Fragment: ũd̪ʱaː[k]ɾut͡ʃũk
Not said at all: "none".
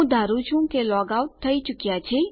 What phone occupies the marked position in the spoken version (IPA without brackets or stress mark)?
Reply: none